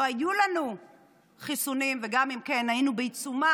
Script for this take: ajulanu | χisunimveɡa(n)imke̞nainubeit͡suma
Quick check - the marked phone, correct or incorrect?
incorrect